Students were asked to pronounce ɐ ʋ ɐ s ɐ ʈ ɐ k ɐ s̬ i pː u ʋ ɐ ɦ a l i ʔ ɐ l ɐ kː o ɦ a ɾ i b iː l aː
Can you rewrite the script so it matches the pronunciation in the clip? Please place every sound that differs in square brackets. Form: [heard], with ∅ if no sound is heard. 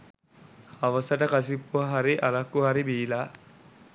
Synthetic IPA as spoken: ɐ ʋ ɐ s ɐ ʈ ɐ k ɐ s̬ i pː u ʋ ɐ ɦ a [ɾ] i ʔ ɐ l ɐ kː [u] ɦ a ɾ i b iː l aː